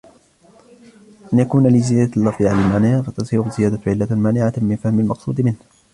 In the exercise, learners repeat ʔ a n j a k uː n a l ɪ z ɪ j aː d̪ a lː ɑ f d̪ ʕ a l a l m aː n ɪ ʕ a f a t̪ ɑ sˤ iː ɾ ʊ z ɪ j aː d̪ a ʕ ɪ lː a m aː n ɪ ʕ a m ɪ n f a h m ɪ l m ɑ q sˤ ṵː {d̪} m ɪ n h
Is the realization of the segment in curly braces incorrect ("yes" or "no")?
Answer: no